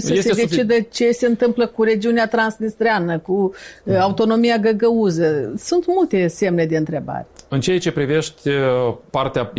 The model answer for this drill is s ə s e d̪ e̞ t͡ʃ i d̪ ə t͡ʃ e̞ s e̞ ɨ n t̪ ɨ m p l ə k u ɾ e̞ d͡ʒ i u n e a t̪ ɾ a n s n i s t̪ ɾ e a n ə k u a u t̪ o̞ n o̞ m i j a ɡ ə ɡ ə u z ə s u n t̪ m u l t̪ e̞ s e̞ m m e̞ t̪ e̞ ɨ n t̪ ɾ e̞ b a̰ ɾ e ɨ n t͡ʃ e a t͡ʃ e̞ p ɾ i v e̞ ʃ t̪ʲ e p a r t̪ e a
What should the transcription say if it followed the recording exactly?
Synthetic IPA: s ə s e d̪ e̞ t͡ʃ i d̪ ə t͡ʃ e̞ s e̞ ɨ n t̪ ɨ m p l ə k u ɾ e̞ d͡ʒ i u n e a t̪ ɾ a n s n i s t̪ ɾ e a n ə k u a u t̪ o̞ n o̞ m i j a ɡ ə ɡ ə u z ə s u n t̪ m u l t̪ e̞ s e̞ m n e̞ d̪ e̞ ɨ n t̪ ɾ e̞ b a̰ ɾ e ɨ n t͡ʃ e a t͡ʃ e̞ p ɾ i v e̞ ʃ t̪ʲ e p a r t̪ e a